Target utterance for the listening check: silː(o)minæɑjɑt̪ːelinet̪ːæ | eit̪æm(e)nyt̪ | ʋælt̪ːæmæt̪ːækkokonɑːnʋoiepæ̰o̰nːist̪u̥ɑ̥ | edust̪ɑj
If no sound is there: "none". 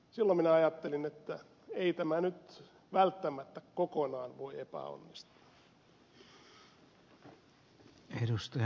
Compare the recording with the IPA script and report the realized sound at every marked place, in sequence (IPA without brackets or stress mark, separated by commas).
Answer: o, æ